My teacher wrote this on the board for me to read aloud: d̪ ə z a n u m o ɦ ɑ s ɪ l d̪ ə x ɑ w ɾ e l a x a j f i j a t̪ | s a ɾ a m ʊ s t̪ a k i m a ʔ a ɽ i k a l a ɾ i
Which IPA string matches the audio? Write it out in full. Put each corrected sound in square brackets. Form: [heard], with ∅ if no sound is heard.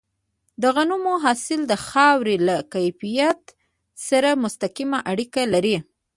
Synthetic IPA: d̪ ə [ɣ] a n u m o ɦ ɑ s ɪ l d̪ ə x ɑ w ɾ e l a [k] a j f i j a t̪ | s a ɾ a m ʊ s t̪ a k i m a ʔ a ɽ i k a l a ɾ i